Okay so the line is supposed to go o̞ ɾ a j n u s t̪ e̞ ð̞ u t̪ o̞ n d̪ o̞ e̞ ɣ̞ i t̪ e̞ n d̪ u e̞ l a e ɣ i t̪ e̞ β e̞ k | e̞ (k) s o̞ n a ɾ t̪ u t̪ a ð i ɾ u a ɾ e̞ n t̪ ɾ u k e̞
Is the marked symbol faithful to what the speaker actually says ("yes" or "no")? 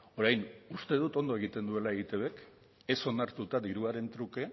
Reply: no